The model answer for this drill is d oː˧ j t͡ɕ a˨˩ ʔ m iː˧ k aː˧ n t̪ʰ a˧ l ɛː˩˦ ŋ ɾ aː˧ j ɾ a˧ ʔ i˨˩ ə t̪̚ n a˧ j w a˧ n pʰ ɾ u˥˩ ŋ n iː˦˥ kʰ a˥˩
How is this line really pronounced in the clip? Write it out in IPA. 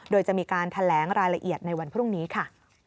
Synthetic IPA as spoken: d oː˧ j t͡ɕ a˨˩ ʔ m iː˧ k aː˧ n t̪ʰ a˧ l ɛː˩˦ ŋ ɾ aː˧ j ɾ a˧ ʔ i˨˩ ə t̪̚ n a˧ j w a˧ n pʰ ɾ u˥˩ ŋ n iː˦˥ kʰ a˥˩